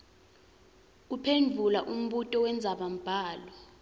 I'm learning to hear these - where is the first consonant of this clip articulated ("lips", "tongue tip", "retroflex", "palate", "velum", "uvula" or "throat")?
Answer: lips